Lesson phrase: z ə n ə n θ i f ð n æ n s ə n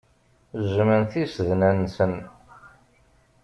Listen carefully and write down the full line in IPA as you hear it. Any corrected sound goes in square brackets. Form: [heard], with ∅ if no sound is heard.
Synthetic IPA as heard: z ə [m] ə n θ i [s] ð n æ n s ə n